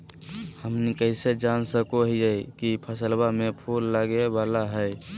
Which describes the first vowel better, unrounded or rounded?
unrounded